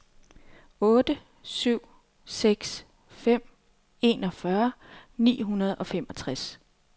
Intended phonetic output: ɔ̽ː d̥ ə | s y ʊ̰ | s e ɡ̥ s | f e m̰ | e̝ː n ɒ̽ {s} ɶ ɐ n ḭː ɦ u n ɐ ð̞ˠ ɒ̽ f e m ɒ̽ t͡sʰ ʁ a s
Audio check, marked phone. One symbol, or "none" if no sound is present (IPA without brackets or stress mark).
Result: f